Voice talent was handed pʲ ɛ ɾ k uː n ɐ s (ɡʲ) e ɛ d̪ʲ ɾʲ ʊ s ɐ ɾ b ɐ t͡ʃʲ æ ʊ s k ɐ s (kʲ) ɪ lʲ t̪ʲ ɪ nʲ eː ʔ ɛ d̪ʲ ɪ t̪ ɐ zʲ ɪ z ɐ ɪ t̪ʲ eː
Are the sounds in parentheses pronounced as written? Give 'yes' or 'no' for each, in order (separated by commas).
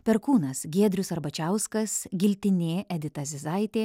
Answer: yes, no